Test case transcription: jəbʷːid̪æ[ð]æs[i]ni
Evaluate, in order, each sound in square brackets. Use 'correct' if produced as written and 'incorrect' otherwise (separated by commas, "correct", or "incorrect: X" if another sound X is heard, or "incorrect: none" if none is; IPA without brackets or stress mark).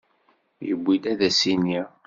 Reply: correct, correct